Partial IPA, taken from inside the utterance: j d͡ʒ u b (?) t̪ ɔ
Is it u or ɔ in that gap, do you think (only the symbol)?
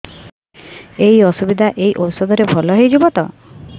ɔ